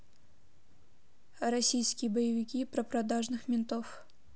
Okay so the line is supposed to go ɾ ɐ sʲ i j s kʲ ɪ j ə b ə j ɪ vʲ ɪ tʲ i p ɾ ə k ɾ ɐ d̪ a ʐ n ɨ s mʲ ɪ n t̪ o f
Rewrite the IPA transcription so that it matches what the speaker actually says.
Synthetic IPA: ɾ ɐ sʲ i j s kʲ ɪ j ə b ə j ɪ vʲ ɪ kʲ i p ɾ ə p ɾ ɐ d̪ a ʐ n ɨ x mʲ ɪ n t̪ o f

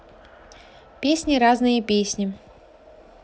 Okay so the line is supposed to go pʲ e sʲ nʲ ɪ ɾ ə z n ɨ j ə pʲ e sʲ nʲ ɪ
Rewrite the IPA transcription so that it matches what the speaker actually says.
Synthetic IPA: pʲ e sʲ nʲ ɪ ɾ a z n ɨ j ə pʲ e sʲ nʲ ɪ

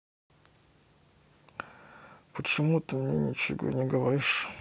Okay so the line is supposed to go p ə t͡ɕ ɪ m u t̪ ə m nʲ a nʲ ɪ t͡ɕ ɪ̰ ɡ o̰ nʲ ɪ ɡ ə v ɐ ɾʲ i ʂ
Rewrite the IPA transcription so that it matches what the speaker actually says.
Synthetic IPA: p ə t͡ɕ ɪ m u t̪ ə m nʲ e nʲ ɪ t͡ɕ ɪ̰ ɡ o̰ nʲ ɪ ɡ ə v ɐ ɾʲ i ʂ

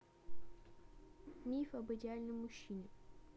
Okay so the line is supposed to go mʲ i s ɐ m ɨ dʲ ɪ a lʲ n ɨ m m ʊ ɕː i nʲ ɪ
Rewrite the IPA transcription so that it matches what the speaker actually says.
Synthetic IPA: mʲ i f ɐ b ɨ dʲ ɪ a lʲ n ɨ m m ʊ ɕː i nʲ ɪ

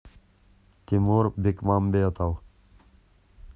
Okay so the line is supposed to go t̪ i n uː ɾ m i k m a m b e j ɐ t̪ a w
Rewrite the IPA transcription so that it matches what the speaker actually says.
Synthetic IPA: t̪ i m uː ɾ b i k m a m b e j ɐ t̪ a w

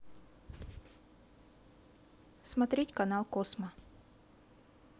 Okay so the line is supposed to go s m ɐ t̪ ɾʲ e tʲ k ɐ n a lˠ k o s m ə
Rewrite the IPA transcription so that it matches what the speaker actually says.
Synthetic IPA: s m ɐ t̪ ɾʲ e tʲ k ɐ n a lˠ k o s m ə

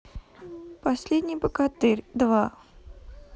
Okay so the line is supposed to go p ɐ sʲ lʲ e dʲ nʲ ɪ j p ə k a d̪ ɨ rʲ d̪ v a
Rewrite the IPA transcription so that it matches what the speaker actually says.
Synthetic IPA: p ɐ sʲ lʲ e dʲ nʲ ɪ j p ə k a t̪ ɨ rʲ d̪ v a

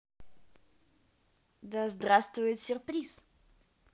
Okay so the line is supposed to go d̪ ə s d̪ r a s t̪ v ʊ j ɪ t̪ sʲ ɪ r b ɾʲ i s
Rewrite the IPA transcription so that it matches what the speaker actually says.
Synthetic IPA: d̪ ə z d̪ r a s t̪ v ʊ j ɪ t̪ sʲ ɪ r p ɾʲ i s

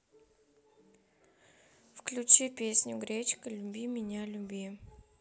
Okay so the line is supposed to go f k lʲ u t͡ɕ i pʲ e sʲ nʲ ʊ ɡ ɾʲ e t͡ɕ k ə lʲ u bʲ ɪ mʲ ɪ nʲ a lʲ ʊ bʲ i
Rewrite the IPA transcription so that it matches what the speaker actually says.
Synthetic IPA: f k lʲ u t͡ɕ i pʲ e sʲ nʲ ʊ ɡ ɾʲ e t͡ɕ k ə lʲ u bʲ i mʲ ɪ nʲ a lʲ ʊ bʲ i

